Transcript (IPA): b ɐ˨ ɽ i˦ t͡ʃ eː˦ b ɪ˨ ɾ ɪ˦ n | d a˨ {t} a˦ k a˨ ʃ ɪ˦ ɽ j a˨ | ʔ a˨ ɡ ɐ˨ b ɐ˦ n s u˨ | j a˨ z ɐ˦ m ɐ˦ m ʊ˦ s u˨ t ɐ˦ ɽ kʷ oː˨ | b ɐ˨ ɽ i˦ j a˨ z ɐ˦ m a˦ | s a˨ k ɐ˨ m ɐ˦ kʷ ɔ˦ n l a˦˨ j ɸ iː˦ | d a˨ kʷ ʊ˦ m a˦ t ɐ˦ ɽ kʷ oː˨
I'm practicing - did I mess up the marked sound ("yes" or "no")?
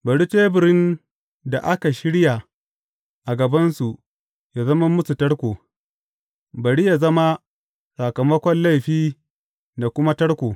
yes